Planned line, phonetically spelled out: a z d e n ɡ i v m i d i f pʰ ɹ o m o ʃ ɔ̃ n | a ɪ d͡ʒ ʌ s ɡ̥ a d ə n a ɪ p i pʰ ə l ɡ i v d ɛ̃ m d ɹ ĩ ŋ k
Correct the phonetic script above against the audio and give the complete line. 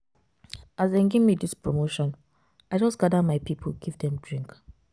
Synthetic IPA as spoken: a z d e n ɡ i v m i d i s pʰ ɹ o m o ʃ ɔ̃ n | a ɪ d͡ʒ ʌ s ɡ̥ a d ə m a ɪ p i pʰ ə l ɡ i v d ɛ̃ m d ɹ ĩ ŋ k